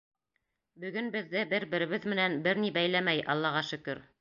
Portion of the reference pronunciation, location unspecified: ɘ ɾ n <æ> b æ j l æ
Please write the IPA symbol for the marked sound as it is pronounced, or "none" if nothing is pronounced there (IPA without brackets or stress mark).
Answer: i